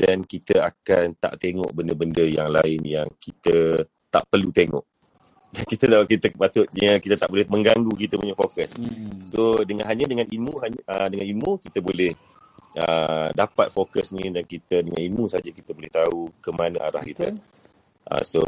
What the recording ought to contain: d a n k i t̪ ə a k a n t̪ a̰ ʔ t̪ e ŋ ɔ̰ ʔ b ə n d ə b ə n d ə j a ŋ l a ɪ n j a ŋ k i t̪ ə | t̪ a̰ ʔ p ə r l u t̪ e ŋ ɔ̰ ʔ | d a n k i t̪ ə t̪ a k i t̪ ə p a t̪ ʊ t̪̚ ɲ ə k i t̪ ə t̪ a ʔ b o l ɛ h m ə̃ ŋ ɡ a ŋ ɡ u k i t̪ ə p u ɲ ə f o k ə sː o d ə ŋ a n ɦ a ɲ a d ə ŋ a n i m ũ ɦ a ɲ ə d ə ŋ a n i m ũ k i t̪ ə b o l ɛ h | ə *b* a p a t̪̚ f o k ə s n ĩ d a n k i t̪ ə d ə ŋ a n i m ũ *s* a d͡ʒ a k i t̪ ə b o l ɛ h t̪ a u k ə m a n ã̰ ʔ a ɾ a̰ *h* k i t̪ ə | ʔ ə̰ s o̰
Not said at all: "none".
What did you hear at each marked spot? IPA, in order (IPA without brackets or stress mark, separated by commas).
d, s, h